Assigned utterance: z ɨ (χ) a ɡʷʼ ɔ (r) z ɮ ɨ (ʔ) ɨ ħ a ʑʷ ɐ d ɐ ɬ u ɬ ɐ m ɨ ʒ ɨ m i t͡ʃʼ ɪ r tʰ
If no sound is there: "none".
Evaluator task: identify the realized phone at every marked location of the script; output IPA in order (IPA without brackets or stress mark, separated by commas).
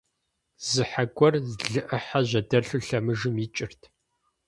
ħ, r, ʔ